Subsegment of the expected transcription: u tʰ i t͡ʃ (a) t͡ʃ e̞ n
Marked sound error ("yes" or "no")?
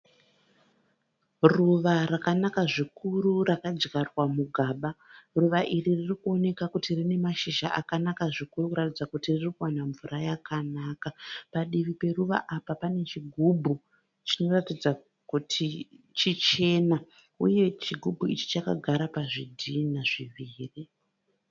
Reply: yes